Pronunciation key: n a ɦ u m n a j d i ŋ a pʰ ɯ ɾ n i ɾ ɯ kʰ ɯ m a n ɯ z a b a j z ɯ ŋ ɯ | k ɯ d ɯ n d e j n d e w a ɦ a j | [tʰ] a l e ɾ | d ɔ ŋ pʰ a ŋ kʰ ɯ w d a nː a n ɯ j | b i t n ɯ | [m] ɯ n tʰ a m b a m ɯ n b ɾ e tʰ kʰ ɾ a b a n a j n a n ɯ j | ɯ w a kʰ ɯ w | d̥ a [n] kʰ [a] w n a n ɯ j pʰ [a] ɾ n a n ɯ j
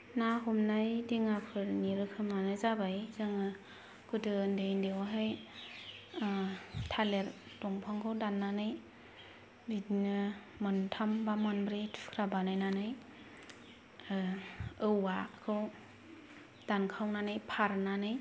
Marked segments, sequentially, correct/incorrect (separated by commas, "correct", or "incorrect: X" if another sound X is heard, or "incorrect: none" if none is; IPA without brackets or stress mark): correct, correct, correct, correct, correct